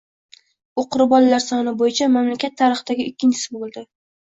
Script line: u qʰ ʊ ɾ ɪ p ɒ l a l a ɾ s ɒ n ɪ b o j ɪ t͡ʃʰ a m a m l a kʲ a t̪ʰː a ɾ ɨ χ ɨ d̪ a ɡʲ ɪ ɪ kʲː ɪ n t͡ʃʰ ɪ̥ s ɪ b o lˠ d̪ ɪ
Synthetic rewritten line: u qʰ ʊ ɾ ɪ b ɒ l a l a ɾ s ɒ n ɪ b o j ɪ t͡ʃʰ a m a m l a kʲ a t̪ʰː a ɾ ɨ χ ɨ d̪ a ɡʲ ɪ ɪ kʲː ɪ n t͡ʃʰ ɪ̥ s ɪ b o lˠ d̪ ɪ